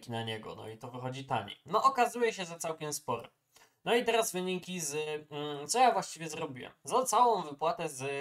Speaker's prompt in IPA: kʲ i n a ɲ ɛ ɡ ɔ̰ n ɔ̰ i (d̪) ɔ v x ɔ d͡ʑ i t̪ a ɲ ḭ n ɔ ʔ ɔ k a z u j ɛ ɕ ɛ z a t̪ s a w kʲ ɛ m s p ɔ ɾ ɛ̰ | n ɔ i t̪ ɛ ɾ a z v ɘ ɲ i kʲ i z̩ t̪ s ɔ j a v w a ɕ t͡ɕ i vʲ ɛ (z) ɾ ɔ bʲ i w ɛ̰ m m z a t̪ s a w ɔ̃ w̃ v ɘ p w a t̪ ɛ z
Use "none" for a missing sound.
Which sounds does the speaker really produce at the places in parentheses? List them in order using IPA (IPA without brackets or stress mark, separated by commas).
t̪, z